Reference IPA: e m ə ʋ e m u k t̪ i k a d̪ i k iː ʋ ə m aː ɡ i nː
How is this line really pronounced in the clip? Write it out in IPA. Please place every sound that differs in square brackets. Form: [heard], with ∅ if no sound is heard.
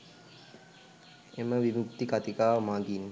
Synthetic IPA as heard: e m ə ʋ [i] m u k t̪ i k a [t̪] i k [aː] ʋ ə m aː ɡ i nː